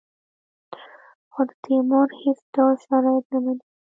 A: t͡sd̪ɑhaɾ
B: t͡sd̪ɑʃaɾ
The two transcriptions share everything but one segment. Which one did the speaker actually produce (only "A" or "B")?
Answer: B